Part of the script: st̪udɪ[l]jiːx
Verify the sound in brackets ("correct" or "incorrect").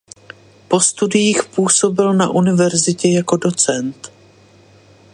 incorrect